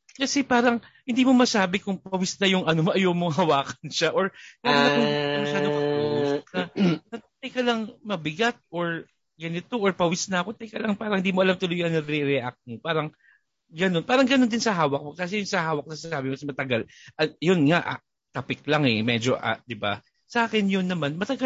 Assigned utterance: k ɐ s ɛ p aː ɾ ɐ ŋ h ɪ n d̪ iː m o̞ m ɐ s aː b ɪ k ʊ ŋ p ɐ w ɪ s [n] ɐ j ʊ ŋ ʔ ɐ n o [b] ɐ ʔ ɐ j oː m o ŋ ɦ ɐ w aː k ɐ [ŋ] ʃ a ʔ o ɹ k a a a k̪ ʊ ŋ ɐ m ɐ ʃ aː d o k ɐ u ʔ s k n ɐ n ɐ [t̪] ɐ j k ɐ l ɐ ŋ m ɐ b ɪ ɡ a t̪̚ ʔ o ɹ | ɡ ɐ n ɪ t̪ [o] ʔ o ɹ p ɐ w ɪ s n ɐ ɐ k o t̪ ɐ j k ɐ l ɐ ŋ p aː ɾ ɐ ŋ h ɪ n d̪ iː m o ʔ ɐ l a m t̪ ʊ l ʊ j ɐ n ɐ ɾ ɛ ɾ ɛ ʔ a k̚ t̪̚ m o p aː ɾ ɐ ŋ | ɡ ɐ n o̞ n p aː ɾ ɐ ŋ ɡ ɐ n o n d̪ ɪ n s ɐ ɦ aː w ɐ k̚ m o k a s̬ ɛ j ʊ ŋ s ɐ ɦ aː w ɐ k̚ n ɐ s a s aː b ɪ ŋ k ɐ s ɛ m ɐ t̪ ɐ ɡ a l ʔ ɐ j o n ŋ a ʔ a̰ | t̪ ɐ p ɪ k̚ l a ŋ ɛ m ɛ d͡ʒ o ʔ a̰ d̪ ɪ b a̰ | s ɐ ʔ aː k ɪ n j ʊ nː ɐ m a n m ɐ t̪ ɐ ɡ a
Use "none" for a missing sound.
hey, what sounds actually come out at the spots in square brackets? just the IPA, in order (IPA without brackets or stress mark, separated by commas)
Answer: n, m, n, t̪, o